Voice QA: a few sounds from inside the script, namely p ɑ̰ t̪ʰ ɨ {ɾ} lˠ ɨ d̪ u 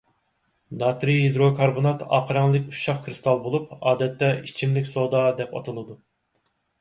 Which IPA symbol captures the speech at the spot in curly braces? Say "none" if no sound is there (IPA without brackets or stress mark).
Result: none